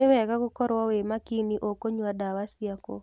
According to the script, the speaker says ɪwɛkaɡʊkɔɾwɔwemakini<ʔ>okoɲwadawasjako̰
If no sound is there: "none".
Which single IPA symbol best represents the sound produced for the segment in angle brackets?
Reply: ʔ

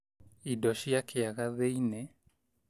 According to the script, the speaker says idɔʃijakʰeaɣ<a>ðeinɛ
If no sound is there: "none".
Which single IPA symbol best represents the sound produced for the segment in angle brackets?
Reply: a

